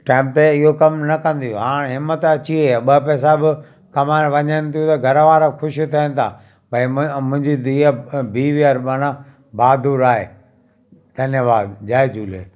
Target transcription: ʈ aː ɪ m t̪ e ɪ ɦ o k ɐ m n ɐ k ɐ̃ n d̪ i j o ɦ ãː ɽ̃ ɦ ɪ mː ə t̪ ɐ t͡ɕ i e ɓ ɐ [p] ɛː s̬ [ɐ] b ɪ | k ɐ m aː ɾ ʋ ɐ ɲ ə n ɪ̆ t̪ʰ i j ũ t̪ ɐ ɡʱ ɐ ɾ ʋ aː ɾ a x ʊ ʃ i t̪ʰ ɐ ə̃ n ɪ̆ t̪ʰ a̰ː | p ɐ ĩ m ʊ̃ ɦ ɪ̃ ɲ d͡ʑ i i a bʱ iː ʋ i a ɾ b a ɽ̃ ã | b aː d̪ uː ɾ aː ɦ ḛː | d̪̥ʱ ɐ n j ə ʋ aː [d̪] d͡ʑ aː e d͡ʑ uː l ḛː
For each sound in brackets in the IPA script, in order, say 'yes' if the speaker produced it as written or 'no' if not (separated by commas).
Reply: yes, no, yes